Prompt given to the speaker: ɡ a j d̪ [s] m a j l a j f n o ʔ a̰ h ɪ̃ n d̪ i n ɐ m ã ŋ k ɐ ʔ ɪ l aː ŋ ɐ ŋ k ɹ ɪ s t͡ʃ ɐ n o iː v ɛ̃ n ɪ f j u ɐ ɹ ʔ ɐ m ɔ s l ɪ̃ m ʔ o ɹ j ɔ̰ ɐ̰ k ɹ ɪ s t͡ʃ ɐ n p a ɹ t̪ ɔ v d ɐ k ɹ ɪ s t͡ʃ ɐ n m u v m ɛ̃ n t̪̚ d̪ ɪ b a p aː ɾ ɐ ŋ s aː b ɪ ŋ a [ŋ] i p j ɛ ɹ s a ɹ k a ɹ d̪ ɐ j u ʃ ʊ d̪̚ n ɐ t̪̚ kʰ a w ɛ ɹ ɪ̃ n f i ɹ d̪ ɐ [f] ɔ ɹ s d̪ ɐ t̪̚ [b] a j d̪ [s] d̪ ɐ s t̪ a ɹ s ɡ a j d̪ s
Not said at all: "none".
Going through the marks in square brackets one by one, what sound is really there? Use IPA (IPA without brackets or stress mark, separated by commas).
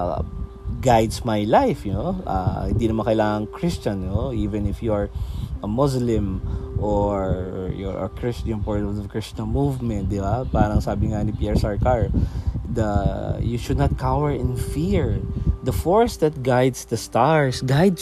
s, n, f, ɡ, s